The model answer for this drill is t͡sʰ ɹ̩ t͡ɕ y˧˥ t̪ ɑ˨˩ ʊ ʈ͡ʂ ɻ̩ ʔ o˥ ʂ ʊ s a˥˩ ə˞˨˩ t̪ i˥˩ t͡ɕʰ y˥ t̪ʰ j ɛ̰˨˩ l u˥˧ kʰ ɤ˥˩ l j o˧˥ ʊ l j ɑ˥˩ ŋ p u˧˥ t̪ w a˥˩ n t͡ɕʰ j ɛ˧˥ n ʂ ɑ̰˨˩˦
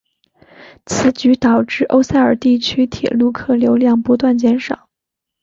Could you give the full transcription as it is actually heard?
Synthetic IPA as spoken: t͡sʰ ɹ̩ t͡ɕ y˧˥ t̪ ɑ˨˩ ʊ ʈ͡ʂ ɻ̩ ʔ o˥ ʊ s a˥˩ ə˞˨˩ t̪ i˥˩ t͡ɕʰ y˥ t̪ʰ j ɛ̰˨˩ l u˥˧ kʰ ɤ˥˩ l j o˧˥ ʊ l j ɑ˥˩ ŋ p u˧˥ t̪ w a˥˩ n t͡ɕ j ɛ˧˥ n ʂ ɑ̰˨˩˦